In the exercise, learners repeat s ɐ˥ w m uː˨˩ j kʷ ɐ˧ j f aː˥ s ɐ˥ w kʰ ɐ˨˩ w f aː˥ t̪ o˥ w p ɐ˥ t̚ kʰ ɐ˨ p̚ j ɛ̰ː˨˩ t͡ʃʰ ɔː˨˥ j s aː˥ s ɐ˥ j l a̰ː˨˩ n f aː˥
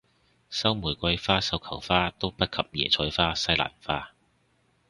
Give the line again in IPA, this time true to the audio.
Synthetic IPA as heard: s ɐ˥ w m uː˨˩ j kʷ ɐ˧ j f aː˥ s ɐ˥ w kʰ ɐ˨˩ w f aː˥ t̪ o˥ w p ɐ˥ t̚ kʰ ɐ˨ p̚ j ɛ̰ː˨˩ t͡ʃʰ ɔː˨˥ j f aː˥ s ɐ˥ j l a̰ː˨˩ n f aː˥